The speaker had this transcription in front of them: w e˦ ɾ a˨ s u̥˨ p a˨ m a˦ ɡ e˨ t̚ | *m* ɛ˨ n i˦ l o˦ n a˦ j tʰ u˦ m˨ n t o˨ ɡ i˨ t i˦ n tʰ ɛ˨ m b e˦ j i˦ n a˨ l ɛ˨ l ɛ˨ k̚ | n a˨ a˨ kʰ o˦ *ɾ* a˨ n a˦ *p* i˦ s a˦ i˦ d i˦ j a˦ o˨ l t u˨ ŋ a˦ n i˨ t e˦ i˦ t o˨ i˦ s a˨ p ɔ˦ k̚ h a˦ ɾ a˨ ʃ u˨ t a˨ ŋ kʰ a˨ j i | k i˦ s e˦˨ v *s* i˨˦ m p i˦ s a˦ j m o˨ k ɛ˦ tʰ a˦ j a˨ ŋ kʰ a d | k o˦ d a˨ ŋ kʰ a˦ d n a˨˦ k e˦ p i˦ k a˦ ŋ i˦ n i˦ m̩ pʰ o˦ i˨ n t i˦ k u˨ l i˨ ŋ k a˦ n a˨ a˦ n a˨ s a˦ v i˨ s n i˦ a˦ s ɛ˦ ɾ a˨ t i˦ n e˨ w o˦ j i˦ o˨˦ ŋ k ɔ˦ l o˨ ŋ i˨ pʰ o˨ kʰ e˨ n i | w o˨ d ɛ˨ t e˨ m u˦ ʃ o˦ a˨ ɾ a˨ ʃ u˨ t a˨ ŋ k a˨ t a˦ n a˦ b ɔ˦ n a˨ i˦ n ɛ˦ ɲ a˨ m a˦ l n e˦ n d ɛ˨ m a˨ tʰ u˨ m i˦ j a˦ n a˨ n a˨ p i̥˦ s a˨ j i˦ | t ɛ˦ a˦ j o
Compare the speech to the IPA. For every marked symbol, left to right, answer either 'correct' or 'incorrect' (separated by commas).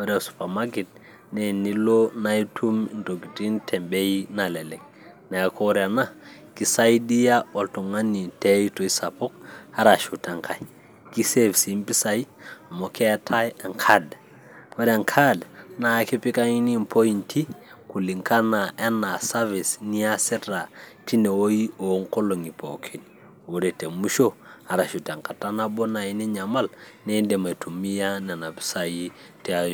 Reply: incorrect, correct, incorrect, correct